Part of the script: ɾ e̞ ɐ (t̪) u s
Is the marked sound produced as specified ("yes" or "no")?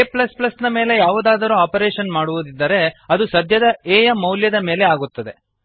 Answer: no